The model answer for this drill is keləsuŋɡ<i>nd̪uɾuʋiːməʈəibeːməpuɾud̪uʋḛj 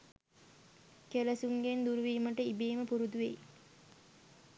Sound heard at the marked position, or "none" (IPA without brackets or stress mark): e